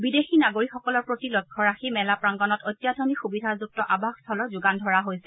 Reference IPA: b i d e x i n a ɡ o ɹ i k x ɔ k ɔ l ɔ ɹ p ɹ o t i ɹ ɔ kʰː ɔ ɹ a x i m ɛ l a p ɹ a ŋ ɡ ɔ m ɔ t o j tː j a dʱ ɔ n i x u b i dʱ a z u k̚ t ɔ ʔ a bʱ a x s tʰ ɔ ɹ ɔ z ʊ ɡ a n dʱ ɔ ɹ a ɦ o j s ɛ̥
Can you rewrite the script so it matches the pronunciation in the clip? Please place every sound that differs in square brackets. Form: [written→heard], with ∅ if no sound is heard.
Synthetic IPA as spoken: b i d e x i n a ɡ o ɹ i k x ɔ k ɔ l ɔ ɹ p ɹ o t i [ɹ→l] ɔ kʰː ɔ ɹ a x i m ɛ l a p ɹ a ŋ ɡ ɔ [m→n] ɔ t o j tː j a dʱ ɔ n i x u b i dʱ a z u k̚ t ɔ ʔ a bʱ a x s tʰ ɔ [ɹ→l] ɔ z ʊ ɡ a n dʱ ɔ ɹ a ɦ o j s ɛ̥